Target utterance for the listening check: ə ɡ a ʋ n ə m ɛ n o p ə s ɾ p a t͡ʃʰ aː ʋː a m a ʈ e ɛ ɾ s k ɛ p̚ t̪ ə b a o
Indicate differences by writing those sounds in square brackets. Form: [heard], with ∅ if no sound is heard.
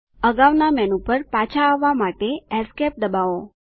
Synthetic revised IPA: ə ɡ a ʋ n [a] m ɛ n [u] p ə [∅] ɾ p a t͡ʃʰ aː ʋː a m a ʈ e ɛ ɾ s k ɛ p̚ [d̪] ə b a o